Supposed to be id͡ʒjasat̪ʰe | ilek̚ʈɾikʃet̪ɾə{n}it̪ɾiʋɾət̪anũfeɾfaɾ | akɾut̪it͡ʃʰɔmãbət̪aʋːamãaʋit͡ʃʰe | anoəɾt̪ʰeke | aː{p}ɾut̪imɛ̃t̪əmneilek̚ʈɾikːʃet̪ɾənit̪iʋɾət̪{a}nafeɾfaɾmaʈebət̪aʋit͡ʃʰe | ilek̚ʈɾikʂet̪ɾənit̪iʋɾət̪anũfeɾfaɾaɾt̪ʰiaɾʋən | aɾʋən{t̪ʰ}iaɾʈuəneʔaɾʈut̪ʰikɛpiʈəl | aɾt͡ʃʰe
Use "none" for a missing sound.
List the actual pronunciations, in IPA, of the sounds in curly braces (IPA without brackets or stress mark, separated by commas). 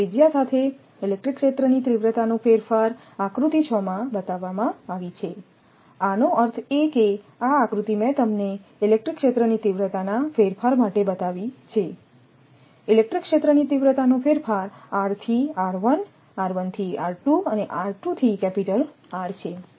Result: n, k, a, t̪ʰ